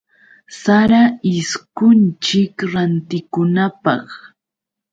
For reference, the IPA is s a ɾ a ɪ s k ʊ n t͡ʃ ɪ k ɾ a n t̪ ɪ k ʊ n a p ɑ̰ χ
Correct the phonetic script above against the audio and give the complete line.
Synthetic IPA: s a ɾ a ɪ s k ʊ n t͡ʃ ɪ k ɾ a n t̪ ɪ k ʊ n a p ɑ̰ χ